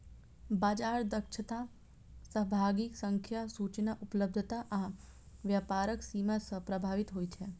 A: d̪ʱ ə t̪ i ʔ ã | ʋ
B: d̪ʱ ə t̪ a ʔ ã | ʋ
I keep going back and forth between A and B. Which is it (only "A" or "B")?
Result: B